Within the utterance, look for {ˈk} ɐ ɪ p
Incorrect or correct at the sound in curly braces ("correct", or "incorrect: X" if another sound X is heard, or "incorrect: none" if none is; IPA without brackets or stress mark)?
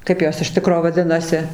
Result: correct